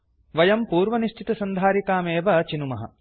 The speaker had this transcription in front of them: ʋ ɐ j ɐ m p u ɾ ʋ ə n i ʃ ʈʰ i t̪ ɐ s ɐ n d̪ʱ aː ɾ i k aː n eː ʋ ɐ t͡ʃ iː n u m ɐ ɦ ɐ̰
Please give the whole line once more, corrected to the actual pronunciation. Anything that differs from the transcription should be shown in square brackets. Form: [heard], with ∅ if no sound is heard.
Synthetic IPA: ʋ ɐ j ɐ m p [uː] ɾ ʋ [ɐ] n i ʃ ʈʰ i t̪ ɐ s ɐ n d̪ʱ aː ɾ i k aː [m] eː ʋ ɐ t͡ʃ [i] n u m ɐ ɦ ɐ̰

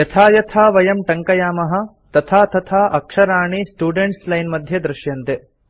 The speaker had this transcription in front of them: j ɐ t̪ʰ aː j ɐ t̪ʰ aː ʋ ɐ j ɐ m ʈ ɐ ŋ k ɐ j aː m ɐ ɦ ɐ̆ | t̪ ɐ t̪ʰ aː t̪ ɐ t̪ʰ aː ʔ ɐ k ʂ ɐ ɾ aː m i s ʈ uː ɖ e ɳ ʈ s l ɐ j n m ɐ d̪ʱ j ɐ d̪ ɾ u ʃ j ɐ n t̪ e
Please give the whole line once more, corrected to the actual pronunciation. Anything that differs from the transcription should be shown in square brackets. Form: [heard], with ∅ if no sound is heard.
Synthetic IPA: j ɐ t̪ʰ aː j ɐ t̪ʰ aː ʋ ɐ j ɐ m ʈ ɐ ŋ k ɐ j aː m ɐ ɦ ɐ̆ | t̪ ɐ t̪ʰ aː t̪ ɐ t̪ʰ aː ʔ ɐ k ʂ ɐ ɾ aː [ɳ] i s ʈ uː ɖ e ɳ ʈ s l ɐ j n m ɐ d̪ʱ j ɐ d̪ ɾ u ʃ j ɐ n t̪ e

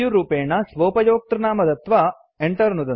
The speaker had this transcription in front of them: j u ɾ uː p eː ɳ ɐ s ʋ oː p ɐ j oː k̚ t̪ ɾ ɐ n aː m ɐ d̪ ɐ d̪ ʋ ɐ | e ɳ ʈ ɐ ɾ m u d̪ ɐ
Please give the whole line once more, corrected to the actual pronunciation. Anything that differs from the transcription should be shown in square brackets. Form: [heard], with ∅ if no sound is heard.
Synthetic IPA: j u ɾ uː p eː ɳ ɐ s ʋ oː p ɐ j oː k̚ t̪ ɾ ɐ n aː m ɐ d̪ ɐ [t̪] ʋ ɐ | e ɳ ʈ ɐ ɾ [n] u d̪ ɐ

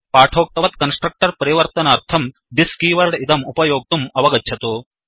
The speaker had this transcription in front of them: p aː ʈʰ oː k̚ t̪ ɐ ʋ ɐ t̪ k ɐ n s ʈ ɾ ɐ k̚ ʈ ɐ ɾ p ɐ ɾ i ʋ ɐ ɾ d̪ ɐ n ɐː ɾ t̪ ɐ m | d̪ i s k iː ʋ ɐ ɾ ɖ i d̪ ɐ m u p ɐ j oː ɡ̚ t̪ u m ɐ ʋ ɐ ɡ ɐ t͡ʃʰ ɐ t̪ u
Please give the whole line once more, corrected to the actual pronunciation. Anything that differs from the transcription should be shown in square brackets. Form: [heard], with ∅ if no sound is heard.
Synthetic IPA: p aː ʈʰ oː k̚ t̪ ɐ ʋ ɐ t̪ k ɐ n s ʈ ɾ ɐ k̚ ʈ ɐ ɾ p ɐ ɾ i ʋ ɐ ɾ [t̪] ɐ n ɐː ɾ [t̪ʰ] ɐ m | d̪ i s k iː ʋ ɐ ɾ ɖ i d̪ ɐ m u p ɐ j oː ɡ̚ t̪ u m ɐ ʋ ɐ ɡ ɐ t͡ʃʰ ɐ t̪ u

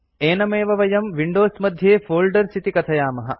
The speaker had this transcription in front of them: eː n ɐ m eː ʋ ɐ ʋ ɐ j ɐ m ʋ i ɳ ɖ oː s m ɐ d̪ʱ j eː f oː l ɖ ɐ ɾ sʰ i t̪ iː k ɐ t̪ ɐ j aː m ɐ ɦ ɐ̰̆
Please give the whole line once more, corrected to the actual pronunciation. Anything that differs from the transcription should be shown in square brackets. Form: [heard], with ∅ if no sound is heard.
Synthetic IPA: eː n ɐ m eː ʋ ɐ ʋ ɐ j ɐ m ʋ i ɳ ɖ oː s m ɐ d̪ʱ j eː f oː l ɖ ɐ ɾ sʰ i t̪ [i] k ɐ [t̪ʰ] ɐ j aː m ɐ ɦ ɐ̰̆

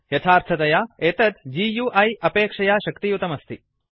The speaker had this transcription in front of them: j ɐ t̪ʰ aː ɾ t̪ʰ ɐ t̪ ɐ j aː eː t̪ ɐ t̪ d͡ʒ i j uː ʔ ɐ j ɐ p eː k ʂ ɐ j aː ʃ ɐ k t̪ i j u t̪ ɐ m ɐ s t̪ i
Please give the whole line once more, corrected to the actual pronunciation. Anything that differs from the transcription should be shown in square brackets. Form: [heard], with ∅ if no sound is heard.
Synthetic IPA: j ɐ t̪ʰ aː ɾ t̪ʰ ɐ t̪ ɐ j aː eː t̪ ɐ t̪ d͡ʒ i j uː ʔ ɐ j ɐ p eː k ʂ ɐ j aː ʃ ɐ k t̪ i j u t̪ ɐ m ɐ s t̪ i

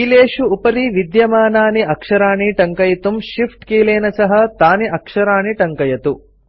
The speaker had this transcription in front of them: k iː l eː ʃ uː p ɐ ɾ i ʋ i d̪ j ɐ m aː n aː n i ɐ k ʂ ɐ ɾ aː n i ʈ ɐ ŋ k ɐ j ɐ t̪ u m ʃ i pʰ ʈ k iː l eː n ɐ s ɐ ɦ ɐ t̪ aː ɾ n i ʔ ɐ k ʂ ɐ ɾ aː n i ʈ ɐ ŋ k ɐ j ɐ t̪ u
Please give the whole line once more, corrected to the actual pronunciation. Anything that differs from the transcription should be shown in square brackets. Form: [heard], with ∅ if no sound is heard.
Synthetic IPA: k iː l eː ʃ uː p ɐ ɾ i ʋ i d̪ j ɐ m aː n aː n i ɐ k ʂ ɐ ɾ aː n i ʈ ɐ ŋ k ɐ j ɐ t̪ u m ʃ i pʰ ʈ k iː l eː n ɐ s ɐ ɦ ɐ t̪ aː [∅] n i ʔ ɐ k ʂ ɐ ɾ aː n i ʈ ɐ ŋ k ɐ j ɐ t̪ u

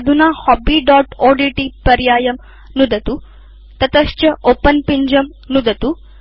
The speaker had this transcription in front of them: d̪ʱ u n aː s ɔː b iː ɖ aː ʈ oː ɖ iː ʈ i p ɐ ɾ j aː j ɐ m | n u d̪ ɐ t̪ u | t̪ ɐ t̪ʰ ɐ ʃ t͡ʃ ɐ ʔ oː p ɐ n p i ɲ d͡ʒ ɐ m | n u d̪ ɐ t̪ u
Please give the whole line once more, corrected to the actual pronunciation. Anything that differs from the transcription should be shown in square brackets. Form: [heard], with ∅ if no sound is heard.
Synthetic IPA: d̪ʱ u n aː [h] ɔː b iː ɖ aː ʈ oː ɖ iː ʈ i p ɐ ɾ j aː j ɐ m | n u d̪ ɐ t̪ u | t̪ ɐ [t̪] ɐ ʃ t͡ʃ ɐ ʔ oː p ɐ n p i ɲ d͡ʒ ɐ m | n u d̪ ɐ t̪ u

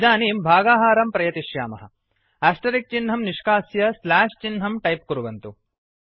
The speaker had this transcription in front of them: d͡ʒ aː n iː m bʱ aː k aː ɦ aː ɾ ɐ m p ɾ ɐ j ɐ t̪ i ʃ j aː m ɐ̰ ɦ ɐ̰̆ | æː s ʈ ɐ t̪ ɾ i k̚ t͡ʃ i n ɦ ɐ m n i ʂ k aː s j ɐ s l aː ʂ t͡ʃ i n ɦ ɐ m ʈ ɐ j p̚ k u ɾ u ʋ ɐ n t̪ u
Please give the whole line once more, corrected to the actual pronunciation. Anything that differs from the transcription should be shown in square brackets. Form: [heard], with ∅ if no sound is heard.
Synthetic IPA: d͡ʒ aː n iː m bʱ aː [ɡ] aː ɦ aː ɾ ɐ m p ɾ ɐ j ɐ t̪ i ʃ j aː m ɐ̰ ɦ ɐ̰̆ | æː s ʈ ɐ [∅] ɾ i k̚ t͡ʃ i n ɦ ɐ m n i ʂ k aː s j ɐ s l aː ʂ t͡ʃ i n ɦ ɐ m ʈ ɐ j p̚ k u ɾ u ʋ ɐ n t̪ u

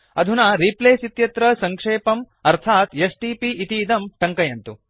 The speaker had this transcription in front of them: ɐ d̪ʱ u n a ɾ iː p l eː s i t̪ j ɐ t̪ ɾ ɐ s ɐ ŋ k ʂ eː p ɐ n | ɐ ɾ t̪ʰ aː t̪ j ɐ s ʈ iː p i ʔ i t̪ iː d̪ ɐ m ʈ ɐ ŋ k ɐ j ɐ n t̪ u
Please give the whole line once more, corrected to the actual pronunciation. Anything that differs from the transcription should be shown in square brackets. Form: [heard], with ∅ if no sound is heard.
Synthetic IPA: ɐ d̪ʱ u n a ɾ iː p l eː s i t̪ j ɐ t̪ ɾ ɐ s ɐ ŋ k ʂ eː p ɐ [m] | ɐ ɾ t̪ʰ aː t̪ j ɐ s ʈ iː p i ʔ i t̪ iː d̪ ɐ m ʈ ɐ ŋ k ɐ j ɐ n t̪ u

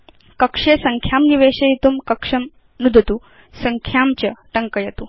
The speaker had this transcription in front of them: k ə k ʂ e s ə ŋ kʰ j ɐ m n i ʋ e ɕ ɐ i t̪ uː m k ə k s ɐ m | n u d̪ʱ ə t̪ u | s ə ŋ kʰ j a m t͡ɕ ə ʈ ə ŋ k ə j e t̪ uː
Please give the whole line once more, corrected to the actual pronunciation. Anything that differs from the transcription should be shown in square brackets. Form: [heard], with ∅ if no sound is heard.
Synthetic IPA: k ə k ʂ e s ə ŋ kʰ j [a] m n i ʋ e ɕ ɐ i t̪ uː m k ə k [ʂ] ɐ m | n u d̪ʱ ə t̪ u | s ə ŋ kʰ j a m t͡ɕ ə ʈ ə ŋ k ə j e t̪ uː

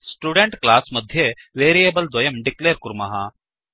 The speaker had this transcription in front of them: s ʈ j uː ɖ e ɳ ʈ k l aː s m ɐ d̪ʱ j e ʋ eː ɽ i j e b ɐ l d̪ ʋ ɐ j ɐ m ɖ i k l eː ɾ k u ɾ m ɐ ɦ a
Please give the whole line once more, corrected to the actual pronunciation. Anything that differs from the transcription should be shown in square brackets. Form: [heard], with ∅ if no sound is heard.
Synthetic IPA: s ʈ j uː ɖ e ɳ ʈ k l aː s m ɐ d̪ʱ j e ʋ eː [ɾ] i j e b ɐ l d̪ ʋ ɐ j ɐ m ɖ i k l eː ɾ k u ɾ m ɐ ɦ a

